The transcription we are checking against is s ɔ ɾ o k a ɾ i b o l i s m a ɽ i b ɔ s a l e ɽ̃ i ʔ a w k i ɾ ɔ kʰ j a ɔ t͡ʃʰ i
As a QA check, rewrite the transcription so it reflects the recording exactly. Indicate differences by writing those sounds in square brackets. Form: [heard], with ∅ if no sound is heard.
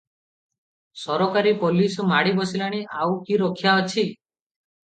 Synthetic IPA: s ɔ ɾ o k a ɾ i [p] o l i s m a ɽ i b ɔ s [i] l [a] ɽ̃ i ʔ a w k i ɾ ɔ kʰ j a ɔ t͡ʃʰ i